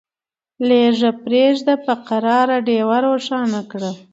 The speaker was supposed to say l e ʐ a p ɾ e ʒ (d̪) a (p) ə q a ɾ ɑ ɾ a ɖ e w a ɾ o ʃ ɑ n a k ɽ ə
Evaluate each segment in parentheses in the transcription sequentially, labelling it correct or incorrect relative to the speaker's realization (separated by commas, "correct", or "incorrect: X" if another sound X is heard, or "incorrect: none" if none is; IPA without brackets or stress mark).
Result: correct, correct